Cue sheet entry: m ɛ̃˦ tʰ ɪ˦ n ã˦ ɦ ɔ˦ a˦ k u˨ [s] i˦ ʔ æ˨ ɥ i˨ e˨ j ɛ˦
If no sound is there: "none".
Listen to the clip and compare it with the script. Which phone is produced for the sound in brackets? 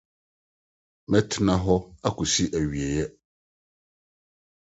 s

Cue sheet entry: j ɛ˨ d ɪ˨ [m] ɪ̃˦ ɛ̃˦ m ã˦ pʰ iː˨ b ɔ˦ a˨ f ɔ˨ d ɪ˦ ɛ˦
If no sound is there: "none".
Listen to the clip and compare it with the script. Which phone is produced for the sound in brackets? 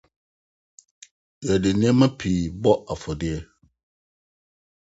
n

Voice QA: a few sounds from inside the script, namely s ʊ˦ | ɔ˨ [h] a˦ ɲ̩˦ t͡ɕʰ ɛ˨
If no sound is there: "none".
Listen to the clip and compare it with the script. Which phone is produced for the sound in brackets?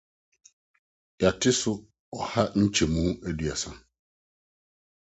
h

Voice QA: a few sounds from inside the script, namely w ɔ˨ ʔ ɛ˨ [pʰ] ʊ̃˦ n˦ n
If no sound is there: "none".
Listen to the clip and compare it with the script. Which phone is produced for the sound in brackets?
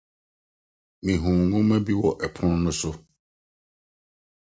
pʰ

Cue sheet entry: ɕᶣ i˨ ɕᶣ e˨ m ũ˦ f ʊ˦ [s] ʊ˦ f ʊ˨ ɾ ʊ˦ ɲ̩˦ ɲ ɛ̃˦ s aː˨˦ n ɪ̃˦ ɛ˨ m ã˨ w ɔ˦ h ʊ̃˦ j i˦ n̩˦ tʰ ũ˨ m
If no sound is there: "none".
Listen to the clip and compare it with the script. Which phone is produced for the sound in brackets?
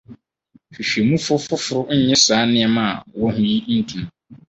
f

